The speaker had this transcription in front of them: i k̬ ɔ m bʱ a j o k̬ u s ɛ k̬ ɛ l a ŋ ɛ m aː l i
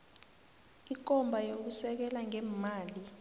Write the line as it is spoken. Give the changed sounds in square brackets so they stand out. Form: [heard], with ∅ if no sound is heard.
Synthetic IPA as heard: i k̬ ɔ m bʱ a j o k̬ u s ɛ k̬ ɛ l a ŋ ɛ m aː l i